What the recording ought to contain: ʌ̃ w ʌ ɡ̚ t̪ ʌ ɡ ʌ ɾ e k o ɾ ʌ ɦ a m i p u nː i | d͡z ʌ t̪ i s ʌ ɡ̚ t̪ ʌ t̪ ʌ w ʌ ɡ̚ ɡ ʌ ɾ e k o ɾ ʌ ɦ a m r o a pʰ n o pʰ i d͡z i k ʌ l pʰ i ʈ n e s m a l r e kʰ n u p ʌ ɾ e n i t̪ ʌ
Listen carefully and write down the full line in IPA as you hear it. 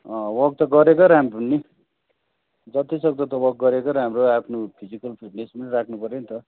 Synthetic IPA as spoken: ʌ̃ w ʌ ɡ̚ t̪ ʌ ɡ ʌ ɾ e k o ɾ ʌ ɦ a m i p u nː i | d͡z ʌ t̪ i s ʌ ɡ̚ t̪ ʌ t̪ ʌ w ʌ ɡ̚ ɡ ʌ ɾ e k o ɾ ʌ ɦ a m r o a pʰ n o pʰ i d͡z i k ʌ l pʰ i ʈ n e s m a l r a kʰ n u p ʌ ɾ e n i t̪ ʌ